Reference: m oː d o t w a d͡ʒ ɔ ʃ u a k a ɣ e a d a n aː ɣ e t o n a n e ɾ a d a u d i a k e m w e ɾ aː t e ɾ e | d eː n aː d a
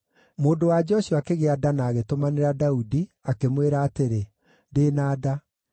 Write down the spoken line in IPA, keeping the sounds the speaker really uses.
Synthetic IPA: m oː d o w a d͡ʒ ɔ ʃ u a k e ɣ e a d a n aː ɣ e t o m a n e ɾ a d a u d i a k e m w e ɾ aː t e ɾ e | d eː n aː d a